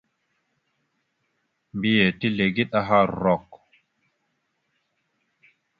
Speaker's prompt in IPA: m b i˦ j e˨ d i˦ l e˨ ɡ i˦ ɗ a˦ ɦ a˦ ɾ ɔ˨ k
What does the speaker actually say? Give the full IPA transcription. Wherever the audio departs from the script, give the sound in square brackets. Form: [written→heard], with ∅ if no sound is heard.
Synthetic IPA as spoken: m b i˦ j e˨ [d→t] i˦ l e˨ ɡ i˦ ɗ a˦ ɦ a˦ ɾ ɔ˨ k